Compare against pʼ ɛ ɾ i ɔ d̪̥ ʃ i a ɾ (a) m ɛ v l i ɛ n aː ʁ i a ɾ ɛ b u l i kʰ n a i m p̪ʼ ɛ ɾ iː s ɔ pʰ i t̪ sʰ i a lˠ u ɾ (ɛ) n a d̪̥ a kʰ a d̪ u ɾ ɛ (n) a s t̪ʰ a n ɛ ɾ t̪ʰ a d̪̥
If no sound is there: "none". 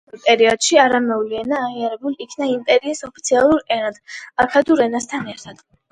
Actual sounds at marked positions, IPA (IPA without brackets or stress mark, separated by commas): a, ɛ, n